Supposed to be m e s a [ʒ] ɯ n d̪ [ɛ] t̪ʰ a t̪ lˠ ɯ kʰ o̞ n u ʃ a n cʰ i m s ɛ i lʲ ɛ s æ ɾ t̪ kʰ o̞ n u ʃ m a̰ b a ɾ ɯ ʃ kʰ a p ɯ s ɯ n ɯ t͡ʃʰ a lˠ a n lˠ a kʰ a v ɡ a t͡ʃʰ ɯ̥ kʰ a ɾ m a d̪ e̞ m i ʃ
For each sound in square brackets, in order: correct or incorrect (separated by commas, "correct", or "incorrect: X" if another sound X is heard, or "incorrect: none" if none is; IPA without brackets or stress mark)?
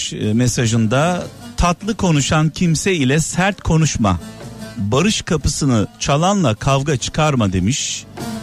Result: correct, incorrect: a